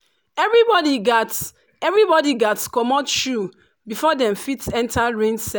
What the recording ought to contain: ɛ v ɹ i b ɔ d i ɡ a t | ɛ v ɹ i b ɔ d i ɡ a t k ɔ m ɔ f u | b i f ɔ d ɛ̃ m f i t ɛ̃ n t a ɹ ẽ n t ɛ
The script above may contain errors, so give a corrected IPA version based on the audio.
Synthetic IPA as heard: ɛ v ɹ i b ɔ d i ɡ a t | ɛ v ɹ i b ɔ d i ɡ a t k ɔ m ɔ ʃ u | b i f ɔ d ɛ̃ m f i t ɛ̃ n t a ɹ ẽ n s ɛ